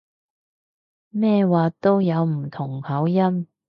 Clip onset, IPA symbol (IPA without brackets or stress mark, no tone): m